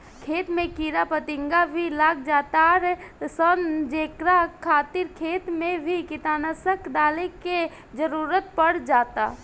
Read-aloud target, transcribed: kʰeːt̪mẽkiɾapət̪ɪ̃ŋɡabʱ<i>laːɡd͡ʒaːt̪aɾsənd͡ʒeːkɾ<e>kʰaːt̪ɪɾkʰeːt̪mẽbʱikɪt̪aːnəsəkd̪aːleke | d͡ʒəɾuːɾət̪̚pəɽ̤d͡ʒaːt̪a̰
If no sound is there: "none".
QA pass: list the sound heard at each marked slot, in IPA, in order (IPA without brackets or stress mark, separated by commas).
i, a